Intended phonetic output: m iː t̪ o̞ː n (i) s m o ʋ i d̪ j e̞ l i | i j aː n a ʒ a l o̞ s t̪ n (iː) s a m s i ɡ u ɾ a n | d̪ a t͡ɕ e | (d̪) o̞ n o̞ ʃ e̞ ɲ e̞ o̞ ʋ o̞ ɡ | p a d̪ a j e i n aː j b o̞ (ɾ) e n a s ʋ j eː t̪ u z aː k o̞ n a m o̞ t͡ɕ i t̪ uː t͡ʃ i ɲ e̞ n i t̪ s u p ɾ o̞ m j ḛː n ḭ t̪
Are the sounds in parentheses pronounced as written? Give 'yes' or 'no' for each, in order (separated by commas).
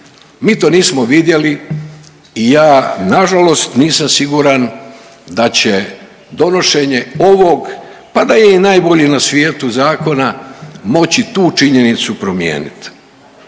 no, yes, yes, no